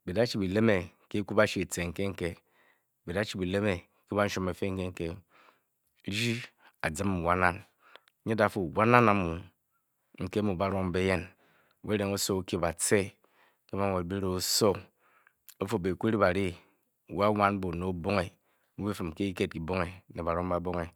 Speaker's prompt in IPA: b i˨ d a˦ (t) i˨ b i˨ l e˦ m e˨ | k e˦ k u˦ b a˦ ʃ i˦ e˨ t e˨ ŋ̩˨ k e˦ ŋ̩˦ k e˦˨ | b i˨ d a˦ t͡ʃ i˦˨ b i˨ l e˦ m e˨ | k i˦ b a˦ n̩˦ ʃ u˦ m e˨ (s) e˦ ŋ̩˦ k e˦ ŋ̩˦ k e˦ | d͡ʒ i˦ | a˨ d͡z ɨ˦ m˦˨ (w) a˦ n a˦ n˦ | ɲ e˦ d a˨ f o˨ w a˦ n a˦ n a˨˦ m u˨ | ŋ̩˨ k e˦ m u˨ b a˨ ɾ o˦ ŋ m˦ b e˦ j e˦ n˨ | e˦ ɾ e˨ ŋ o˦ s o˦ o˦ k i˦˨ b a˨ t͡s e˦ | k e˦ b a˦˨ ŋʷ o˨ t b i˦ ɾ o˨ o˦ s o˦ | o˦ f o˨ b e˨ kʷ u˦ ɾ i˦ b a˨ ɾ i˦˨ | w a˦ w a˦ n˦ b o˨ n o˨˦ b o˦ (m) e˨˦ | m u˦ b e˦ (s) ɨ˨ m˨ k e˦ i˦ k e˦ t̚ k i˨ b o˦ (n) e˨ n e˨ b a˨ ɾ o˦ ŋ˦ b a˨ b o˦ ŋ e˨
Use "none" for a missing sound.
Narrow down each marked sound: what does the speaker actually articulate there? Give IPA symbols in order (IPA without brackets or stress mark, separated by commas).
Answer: t͡ʃ, f, w, ŋ, f, ŋ